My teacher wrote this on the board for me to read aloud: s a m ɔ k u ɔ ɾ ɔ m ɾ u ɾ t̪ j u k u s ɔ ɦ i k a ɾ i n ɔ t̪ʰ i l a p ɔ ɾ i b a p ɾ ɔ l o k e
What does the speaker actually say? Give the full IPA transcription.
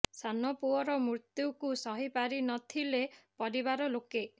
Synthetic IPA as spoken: s a n ɔ p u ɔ ɾ ɔ m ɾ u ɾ t̪ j u k u s ɔ ɦ i p a ɾ i n ɔ t̪ʰ i l e p ɔ ɾ i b a ɾ ɔ l o k e